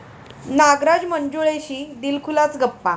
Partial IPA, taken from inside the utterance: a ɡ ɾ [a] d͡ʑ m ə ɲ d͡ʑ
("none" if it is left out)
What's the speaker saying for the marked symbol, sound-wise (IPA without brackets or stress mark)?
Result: a